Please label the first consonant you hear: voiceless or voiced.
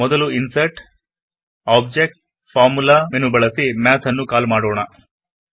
voiced